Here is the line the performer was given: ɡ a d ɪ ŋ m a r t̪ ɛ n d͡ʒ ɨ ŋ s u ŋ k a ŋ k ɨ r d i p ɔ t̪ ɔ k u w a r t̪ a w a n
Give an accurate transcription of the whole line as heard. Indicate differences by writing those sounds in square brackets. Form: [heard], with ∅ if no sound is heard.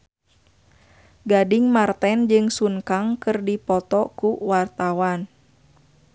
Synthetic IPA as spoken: ɡ a d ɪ ŋ m a r t̪ ɛ n d͡ʒ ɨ ŋ s u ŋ k a ŋ k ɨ r d i p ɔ t̪ ɔ k u w a r t̪ a w a n